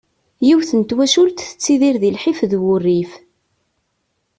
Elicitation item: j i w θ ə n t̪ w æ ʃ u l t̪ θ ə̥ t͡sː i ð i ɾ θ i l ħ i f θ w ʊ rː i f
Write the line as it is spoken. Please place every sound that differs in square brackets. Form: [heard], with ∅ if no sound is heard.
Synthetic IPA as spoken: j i w θ ə n t̪ w æ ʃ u l t̪ θ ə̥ t͡sː i ð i ɾ [ð] i l ħ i f [ð] w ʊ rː i f